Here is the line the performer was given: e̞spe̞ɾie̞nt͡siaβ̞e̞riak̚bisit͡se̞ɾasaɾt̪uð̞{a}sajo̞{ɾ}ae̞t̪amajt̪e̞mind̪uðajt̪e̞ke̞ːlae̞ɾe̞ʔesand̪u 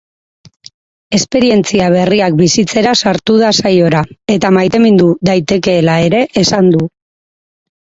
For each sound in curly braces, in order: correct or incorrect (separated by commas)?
correct, correct